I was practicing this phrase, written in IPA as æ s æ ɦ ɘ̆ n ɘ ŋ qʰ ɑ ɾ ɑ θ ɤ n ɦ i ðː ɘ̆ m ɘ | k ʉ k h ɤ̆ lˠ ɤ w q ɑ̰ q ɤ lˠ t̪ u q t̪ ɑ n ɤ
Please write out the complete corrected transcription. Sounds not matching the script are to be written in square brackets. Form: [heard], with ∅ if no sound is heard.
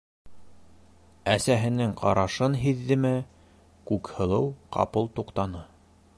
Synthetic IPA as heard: æ s æ ɦ ɘ̆ n ɘ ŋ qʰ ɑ ɾ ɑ [ʃ] ɤ n ɦ i ðː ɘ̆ m ɘ | k ʉ k h ɤ̆ lˠ ɤ w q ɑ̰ [p] ɤ lˠ t̪ u q t̪ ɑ n ɤ